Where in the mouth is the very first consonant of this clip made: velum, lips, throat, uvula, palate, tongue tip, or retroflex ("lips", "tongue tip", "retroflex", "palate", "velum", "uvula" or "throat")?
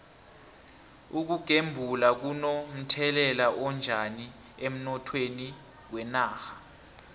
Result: velum